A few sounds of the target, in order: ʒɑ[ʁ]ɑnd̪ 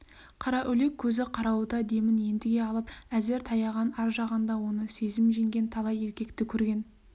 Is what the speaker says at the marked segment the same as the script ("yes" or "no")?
yes